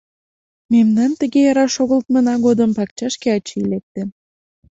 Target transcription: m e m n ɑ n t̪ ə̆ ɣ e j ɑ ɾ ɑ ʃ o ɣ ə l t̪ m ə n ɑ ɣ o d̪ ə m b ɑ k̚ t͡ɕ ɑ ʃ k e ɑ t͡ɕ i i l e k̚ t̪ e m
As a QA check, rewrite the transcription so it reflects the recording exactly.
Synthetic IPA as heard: m e m n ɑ n t̪ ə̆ ɣ e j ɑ ɾ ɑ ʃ o ɣ ə l t̪ m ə n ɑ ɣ o d̪ ə m p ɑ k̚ t͡ɕ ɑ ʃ k e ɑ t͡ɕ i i l e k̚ t̪ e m